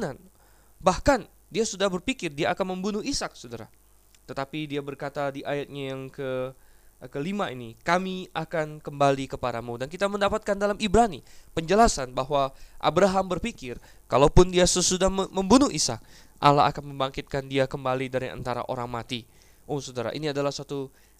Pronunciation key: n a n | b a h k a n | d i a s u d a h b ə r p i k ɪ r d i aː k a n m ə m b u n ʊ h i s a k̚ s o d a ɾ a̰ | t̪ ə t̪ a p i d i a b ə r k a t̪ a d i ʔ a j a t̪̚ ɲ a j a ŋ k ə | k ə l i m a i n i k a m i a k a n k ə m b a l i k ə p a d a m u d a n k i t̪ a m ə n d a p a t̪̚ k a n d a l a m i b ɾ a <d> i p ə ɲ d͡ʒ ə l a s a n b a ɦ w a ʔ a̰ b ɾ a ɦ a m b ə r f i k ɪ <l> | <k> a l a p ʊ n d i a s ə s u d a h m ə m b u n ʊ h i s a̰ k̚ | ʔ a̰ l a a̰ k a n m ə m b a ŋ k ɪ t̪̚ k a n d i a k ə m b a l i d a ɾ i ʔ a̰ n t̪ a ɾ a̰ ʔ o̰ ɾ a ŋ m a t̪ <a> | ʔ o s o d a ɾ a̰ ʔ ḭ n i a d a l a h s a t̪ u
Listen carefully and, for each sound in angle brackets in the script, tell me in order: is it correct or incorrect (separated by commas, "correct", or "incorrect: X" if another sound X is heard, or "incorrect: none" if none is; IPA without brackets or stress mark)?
incorrect: n, incorrect: r, correct, incorrect: i